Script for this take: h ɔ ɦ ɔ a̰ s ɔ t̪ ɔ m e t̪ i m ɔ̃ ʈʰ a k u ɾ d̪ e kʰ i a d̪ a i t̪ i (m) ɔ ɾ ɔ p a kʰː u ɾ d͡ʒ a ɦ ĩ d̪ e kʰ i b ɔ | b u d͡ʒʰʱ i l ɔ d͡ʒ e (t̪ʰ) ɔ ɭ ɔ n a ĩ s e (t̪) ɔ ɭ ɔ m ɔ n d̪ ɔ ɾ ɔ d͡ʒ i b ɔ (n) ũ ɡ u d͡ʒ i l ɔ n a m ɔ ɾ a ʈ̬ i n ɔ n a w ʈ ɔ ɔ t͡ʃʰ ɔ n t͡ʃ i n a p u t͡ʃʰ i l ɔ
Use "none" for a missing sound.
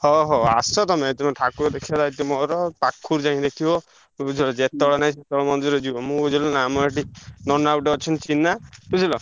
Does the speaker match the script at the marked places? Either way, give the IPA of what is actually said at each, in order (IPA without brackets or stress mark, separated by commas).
m, t̪, t̪, m